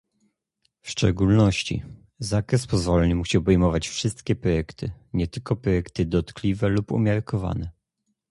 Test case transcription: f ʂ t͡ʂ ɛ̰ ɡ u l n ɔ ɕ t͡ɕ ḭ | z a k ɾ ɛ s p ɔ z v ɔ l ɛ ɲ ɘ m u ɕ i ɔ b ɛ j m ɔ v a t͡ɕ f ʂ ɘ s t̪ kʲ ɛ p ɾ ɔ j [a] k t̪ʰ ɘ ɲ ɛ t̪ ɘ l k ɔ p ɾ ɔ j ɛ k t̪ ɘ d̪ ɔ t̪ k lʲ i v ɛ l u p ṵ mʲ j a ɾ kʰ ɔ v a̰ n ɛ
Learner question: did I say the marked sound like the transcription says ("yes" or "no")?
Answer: no